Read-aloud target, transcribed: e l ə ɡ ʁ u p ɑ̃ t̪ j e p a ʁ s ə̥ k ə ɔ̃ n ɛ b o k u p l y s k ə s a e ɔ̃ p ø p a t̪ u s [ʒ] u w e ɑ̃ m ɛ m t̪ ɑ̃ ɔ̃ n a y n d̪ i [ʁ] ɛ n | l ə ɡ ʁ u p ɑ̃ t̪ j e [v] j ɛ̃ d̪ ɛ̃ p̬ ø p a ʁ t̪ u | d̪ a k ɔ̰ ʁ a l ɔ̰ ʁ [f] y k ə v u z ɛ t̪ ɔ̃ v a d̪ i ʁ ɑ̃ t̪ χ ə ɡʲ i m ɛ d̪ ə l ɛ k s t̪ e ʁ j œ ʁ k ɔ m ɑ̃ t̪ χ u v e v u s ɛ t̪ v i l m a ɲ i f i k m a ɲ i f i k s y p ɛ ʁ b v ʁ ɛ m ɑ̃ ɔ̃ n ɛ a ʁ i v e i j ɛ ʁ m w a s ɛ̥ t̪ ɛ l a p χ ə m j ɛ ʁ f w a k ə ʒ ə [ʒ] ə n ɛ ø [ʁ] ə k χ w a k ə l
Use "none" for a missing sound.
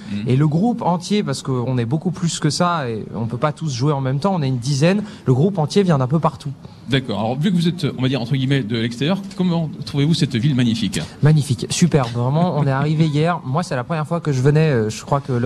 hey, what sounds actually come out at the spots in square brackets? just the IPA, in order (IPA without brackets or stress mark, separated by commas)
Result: ʒ, z, v, v, v, ʒ